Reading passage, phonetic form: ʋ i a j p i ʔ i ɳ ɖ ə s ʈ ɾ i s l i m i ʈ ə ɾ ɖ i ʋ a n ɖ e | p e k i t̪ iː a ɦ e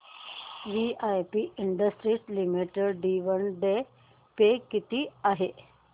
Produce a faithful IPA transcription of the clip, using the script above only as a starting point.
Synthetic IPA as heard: ʋ i a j p i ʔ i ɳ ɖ ə s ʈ ɾ i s l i m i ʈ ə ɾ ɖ i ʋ ə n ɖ e | p e k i t̪ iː a ɦ e